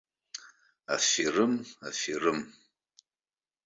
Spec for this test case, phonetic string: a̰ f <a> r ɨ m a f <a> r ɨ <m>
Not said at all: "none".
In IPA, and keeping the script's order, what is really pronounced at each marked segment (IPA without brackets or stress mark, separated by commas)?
i, i, m